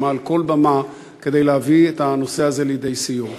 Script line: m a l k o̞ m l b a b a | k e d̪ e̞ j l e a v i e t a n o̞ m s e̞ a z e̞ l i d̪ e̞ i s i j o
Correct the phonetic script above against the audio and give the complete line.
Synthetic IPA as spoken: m a l k o̞ l b a m a | k e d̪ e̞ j l e a v i e t a n o̞ s e̞ a z e̞ l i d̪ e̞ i s i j o